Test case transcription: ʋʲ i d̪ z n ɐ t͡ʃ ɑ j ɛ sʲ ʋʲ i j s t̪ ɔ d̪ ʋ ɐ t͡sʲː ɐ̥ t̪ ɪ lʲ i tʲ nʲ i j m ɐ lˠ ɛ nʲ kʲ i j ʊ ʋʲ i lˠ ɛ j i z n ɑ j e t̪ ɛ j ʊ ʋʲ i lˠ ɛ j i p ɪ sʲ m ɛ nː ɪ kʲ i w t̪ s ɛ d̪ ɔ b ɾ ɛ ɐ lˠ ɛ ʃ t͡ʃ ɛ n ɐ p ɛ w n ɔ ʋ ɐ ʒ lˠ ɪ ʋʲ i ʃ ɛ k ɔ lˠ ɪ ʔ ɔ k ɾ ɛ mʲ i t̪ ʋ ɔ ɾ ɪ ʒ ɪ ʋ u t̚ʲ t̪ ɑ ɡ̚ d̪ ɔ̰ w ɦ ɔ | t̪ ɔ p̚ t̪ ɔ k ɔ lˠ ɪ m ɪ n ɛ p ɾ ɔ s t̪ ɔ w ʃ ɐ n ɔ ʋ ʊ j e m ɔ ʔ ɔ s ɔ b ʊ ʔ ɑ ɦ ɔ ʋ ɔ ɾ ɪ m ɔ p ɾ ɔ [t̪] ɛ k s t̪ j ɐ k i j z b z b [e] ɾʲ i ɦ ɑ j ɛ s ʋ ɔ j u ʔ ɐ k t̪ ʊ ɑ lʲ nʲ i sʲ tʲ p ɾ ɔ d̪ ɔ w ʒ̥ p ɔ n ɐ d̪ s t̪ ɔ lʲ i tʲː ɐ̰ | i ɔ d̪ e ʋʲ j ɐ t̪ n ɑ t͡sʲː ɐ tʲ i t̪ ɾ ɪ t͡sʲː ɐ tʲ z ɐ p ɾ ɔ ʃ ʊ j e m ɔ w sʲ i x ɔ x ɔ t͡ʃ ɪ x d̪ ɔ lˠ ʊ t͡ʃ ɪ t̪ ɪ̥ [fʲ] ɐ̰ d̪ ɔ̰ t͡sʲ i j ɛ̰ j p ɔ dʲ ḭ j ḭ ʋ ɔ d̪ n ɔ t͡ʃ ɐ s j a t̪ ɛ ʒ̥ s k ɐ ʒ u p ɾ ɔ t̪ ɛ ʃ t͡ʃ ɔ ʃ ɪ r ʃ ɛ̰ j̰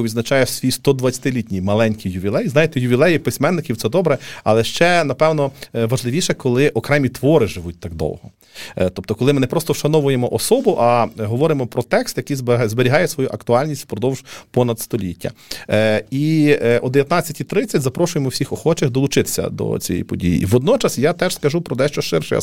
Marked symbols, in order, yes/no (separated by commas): yes, yes, no